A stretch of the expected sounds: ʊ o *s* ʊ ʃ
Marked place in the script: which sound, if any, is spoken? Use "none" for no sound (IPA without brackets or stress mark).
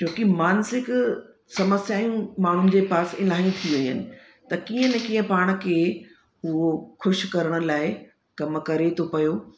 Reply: x